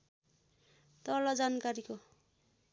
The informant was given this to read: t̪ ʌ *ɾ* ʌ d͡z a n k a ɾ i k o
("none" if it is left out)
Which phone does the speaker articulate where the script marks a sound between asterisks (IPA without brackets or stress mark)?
l